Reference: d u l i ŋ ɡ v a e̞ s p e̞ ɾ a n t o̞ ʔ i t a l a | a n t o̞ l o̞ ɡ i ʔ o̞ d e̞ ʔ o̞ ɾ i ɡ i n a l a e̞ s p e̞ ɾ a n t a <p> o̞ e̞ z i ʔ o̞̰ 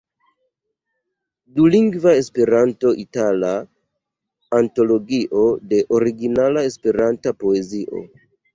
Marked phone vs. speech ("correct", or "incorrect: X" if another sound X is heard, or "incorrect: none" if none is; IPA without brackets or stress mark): correct